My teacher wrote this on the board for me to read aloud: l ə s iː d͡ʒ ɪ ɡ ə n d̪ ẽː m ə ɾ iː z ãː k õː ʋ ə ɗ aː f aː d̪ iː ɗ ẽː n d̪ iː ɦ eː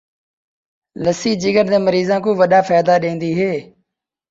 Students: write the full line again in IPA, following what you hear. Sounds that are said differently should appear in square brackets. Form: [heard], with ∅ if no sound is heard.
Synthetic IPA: l ə s iː d͡ʒ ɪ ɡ ə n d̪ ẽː m ə ɾ iː z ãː k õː ʋ ə ɗ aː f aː d̪ [aː] ɗ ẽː n d̪ iː ɦ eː